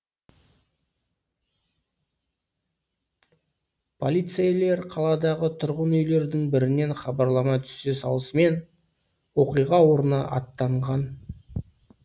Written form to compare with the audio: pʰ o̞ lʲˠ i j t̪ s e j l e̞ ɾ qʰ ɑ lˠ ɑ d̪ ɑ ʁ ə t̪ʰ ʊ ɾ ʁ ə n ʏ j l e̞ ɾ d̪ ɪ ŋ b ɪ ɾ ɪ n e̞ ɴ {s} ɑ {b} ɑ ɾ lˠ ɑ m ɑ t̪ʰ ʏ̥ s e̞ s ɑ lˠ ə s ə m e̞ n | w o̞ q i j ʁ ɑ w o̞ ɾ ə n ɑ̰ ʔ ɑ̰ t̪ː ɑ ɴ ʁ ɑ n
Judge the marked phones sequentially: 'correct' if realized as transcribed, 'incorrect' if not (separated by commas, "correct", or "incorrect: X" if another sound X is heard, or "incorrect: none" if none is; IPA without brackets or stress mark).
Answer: incorrect: χ, correct